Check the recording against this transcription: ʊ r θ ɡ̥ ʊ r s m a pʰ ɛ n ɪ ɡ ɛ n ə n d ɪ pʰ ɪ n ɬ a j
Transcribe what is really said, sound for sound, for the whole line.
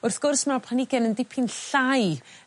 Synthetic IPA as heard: ʊ r θ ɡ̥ ʊ r s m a pʰ a n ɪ ɡ ɛ n ə n d ɪ pʰ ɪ n ɬ a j